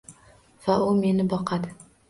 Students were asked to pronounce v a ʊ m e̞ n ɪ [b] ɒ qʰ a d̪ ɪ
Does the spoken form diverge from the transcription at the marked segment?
no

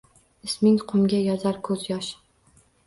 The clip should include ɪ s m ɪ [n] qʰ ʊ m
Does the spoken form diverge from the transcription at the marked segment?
yes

